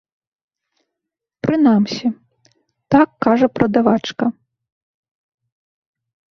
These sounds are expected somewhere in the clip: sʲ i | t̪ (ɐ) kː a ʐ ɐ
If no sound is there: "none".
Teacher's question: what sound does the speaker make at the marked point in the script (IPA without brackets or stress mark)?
a